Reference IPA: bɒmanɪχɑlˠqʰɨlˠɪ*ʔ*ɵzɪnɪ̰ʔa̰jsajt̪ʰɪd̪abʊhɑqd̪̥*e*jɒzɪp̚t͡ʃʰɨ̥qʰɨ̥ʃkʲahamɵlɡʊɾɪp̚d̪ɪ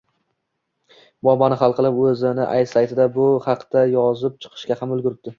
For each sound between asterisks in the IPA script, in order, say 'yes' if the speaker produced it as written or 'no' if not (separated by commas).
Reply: no, no